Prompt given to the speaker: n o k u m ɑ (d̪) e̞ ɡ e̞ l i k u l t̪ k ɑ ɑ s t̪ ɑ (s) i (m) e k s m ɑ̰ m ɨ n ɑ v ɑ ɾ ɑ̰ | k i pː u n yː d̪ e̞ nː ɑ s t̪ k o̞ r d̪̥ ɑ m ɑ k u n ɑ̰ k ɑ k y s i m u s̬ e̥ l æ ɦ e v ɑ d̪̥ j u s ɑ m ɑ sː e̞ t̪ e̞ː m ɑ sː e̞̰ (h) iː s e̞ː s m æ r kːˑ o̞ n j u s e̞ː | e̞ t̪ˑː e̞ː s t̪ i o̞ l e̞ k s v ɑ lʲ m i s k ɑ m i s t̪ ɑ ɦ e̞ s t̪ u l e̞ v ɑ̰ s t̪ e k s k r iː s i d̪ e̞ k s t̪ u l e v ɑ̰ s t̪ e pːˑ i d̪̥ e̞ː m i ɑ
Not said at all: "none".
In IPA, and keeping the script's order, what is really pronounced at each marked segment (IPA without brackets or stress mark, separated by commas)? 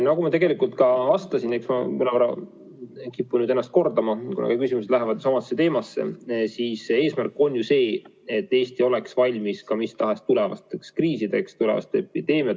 t̪, s, n, s